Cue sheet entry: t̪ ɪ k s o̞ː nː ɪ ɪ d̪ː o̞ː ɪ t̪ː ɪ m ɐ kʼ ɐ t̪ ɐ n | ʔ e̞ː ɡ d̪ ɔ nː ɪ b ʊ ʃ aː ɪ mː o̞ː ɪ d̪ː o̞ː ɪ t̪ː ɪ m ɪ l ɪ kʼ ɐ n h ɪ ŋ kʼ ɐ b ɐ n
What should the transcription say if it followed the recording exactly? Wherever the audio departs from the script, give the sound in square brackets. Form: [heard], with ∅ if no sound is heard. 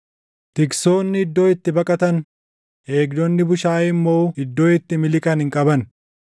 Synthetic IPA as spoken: t̪ ɪ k s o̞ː nː ɪ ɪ d̪ː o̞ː ɪ t̪ː ɪ [b] ɐ kʼ ɐ t̪ ɐ n | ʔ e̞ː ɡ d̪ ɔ nː ɪ b ʊ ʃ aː ɪ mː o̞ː ɪ d̪ː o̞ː ɪ t̪ː ɪ m ɪ l ɪ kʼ ɐ n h ɪ ŋ kʼ ɐ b ɐ n